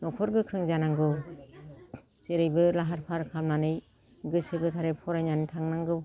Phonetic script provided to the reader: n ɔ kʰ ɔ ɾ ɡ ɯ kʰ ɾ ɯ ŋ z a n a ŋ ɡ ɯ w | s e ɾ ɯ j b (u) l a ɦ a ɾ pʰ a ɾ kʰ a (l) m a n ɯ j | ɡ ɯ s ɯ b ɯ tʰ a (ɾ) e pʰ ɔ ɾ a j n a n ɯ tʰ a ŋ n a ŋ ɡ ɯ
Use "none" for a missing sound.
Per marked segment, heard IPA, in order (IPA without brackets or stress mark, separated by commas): ɯ, l, ɾ